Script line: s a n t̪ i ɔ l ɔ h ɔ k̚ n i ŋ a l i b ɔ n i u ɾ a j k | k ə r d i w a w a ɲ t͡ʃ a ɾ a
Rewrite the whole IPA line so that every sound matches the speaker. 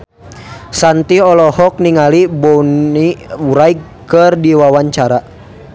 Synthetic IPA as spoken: s a n t̪ i ɔ l ɔ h ɔ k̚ n i ŋ a l i b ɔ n i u ɾ a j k | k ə r d i w a w a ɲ t͡ʃ a ɾ a